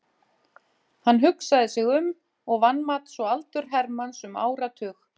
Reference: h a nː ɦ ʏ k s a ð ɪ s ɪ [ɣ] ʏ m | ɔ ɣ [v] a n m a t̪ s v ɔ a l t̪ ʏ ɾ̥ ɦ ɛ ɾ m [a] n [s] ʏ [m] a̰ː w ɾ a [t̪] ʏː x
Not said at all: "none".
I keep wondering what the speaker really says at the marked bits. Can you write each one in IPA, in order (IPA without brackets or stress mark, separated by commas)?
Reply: ɣ, v, a, s, m, t̪ʰ